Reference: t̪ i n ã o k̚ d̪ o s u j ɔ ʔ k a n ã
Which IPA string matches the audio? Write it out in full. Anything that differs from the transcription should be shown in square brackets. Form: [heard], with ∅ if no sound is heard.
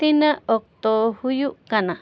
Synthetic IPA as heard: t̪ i n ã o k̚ [t̪] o [h] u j [u] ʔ k a n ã